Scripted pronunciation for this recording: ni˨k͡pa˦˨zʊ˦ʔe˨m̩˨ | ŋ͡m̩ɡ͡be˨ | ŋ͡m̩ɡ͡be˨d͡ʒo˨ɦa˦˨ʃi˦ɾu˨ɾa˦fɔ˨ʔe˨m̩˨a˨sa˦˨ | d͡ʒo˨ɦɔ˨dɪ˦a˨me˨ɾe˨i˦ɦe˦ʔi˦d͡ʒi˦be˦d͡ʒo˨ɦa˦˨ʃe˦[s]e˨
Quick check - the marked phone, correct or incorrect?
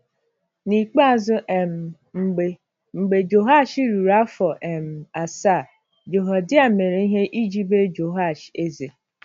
incorrect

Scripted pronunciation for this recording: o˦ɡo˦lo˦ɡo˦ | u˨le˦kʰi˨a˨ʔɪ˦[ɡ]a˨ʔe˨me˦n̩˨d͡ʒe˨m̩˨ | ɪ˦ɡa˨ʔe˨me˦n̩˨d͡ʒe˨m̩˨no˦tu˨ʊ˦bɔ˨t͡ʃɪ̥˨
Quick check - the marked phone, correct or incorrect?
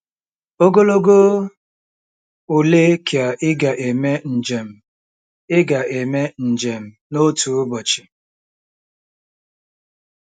correct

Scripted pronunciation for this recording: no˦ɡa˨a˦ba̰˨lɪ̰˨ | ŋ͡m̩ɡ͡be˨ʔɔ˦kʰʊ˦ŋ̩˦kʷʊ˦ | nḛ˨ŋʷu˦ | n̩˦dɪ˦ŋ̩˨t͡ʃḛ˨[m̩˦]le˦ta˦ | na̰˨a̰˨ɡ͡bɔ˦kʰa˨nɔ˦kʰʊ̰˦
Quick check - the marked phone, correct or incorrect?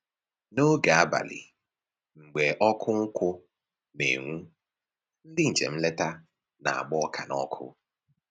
correct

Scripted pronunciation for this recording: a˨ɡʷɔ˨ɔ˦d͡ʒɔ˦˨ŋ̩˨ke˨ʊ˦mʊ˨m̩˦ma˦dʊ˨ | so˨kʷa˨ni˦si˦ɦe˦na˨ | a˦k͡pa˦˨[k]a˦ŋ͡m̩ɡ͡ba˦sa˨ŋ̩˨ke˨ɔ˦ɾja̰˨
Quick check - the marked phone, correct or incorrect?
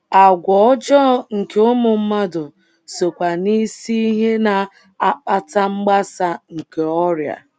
incorrect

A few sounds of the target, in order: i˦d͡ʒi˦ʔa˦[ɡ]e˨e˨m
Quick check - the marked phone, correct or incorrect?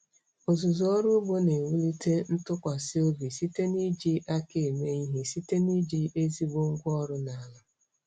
incorrect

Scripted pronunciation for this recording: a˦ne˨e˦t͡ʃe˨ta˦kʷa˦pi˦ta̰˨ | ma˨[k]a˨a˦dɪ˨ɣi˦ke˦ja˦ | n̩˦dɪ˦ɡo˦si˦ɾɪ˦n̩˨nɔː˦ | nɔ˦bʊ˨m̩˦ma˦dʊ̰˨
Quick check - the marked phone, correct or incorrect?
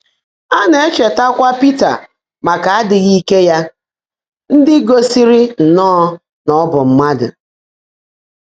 correct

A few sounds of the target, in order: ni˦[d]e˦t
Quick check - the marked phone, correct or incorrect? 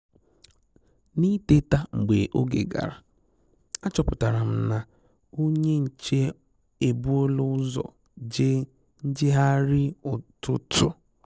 incorrect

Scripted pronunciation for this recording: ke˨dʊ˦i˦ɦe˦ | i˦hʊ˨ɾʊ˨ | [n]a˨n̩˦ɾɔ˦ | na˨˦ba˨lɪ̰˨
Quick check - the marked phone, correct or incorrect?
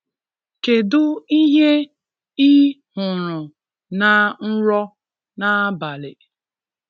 correct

